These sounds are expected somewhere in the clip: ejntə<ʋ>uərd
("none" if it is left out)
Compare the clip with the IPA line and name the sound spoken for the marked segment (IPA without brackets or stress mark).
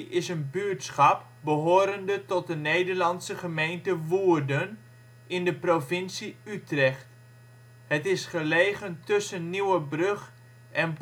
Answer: ʋ